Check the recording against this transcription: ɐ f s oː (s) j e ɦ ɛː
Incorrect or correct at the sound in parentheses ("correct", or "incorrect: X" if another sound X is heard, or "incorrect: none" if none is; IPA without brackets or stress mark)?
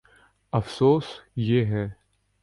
correct